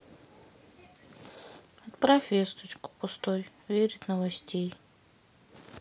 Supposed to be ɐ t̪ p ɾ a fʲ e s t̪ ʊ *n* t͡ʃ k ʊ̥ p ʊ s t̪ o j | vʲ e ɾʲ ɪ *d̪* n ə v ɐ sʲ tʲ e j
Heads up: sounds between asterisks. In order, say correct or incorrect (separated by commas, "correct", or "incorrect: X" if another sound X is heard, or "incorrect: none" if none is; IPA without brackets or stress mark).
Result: incorrect: none, incorrect: t̪